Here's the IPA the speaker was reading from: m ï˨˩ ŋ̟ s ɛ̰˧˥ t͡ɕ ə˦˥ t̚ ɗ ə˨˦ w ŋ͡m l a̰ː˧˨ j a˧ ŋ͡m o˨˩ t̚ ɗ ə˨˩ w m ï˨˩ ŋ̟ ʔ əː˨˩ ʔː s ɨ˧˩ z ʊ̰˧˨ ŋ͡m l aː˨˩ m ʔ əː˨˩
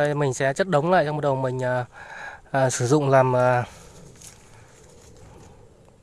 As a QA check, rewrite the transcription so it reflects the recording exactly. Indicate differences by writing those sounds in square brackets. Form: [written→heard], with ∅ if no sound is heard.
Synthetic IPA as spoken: m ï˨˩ ŋ̟ s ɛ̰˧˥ t͡ɕ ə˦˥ t̚ ɗ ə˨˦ w ŋ͡m l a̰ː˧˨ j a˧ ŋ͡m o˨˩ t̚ ɗ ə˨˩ w m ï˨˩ ŋ̟ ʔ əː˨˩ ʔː s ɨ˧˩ z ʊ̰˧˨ ŋ͡m l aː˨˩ m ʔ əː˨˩

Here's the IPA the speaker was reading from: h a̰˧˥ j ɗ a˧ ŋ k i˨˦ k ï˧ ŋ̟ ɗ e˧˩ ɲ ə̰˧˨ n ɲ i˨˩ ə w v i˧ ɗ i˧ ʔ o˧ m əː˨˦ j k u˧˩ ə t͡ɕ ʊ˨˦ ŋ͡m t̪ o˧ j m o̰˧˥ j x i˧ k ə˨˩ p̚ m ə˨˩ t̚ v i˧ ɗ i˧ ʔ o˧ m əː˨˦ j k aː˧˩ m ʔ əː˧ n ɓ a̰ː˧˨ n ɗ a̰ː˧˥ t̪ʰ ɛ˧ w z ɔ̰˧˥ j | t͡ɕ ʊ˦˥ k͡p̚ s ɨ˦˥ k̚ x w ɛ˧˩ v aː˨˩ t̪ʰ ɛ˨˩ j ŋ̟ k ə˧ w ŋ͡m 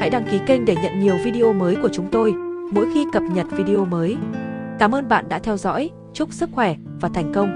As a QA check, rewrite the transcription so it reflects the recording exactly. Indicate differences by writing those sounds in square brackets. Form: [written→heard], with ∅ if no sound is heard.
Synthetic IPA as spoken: h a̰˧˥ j ɗ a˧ ŋ k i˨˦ k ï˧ ŋ̟ ɗ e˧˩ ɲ ə̰˧˨ n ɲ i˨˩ ə w v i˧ ɗ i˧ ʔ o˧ m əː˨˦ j k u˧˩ ə t͡ɕ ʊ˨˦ ŋ͡m t̪ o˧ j m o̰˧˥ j x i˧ k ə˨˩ p̚ [m→ɲ] ə˨˩ t̚ v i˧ ɗ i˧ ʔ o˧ m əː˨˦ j k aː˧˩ m ʔ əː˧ n ɓ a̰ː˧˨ n ɗ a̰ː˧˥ t̪ʰ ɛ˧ w z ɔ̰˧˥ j | t͡ɕ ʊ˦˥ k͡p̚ s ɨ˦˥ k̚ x w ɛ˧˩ v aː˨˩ t̪ʰ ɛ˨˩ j ŋ̟ k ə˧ w ŋ͡m

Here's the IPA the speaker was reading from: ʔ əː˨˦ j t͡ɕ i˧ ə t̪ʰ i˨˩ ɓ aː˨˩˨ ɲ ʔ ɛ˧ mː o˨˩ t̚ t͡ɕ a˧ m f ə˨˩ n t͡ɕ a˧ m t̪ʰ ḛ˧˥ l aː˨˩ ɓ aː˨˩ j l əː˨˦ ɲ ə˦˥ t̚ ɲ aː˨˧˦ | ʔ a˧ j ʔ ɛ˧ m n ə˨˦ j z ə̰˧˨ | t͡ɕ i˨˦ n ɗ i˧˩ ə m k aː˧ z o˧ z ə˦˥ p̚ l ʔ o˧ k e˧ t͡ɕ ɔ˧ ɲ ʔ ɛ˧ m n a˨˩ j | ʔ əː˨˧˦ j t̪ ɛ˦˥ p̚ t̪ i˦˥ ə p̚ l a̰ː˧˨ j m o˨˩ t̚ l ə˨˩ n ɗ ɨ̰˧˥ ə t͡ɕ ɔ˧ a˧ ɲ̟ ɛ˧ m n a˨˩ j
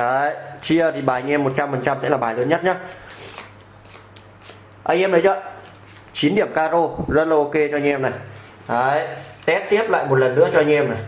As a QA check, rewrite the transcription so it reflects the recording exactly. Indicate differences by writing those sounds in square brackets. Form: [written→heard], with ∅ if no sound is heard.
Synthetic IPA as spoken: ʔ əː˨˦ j t͡ɕ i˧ ə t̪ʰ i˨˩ ɓ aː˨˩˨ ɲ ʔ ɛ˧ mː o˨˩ t̚ t͡ɕ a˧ m f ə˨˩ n t͡ɕ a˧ m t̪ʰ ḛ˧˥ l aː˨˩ ɓ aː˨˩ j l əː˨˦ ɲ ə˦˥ t̚ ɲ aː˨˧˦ | ʔ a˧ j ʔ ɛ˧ m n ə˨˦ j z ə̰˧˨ | t͡ɕ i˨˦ n ɗ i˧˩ ə m k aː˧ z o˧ z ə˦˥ [p̚→t̚] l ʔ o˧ k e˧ t͡ɕ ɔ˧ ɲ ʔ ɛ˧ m n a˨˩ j | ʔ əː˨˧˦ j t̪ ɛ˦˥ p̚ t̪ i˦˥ ə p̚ l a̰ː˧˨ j m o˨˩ t̚ l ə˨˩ n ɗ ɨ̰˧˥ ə t͡ɕ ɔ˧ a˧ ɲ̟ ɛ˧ m n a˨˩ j

